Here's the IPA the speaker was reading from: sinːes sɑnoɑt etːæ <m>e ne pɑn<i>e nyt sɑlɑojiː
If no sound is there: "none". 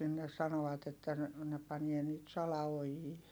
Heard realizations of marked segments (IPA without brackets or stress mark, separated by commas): n, i